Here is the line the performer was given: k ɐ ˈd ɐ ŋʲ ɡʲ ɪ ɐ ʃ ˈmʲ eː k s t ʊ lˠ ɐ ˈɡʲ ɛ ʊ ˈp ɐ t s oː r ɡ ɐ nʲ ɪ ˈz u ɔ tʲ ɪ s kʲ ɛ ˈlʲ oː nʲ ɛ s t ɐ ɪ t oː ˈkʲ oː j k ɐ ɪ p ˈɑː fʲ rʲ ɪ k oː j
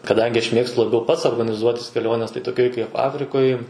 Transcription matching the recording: k ɐ ˈd ɐ ŋʲ ɡʲ ɪ ɐ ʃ ˈmʲ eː k s t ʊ lˠ ɐ ˈbʲ ɛ ʊ ˈp ɐ t s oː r ɡ ɐ nʲ ɪ ˈz u ɔ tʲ ɪ s kʲ ɛ ˈlʲ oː nʲ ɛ s t ɐ ɪ t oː ˈkʲ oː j k ɐ ɪ p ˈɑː fʲ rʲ ɪ k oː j